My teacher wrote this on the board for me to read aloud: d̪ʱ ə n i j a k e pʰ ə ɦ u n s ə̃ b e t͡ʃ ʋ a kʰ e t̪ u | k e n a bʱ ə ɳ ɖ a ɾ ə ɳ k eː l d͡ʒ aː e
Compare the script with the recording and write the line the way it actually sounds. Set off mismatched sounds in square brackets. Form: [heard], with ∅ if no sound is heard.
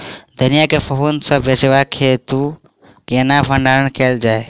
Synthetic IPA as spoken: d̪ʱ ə n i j a k e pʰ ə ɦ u n s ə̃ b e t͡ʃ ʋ a kʰ e t̪ u | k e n a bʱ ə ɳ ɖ a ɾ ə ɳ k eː l d͡ʒ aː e